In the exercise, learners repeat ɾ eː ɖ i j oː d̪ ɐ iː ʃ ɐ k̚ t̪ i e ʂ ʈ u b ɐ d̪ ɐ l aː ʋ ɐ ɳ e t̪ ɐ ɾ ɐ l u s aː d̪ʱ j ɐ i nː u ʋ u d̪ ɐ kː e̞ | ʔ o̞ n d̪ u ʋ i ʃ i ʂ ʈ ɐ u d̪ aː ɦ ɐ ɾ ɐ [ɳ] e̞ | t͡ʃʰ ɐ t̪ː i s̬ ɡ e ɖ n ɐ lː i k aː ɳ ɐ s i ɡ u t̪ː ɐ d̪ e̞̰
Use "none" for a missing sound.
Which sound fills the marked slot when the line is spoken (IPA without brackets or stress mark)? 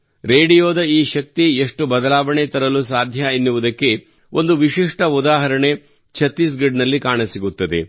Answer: ɳ